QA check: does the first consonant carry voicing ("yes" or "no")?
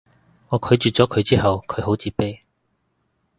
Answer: yes